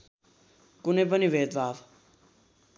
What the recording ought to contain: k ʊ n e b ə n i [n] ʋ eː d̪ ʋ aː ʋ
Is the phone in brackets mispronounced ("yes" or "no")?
yes